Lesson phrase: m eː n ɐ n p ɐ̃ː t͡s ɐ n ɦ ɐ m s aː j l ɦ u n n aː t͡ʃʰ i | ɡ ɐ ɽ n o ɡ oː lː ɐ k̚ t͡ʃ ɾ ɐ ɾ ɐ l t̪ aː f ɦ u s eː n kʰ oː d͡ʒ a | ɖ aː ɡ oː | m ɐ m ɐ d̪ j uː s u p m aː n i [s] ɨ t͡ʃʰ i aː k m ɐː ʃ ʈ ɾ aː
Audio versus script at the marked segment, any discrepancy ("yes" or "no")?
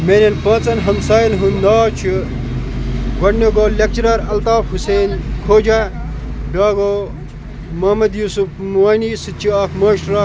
no